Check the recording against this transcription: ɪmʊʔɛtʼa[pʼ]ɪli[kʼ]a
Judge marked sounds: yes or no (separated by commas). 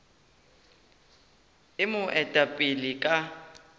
yes, yes